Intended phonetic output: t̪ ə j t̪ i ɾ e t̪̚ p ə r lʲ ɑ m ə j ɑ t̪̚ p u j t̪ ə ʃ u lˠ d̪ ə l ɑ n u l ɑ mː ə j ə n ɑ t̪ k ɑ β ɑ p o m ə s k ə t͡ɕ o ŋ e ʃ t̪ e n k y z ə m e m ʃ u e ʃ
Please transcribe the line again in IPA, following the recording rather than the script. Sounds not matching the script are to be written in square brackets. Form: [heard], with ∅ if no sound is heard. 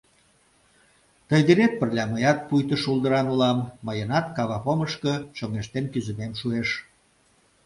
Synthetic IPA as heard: t̪ ə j [d̪] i ɾ e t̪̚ p ə r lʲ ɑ m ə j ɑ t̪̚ p u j t̪ ə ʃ u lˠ d̪ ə [ɾ] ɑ n u l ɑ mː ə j ə n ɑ t̪ k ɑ β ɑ p o m ə [ʃ] k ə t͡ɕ o ŋ e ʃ t̪ e n k y z ə m e m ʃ u e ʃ